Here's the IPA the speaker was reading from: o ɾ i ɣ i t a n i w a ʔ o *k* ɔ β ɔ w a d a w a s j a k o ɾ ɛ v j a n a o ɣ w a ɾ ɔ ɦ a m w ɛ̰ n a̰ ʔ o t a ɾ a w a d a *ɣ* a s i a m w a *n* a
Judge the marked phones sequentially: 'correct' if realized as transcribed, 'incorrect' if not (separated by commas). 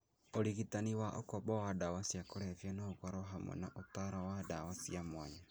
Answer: correct, incorrect, incorrect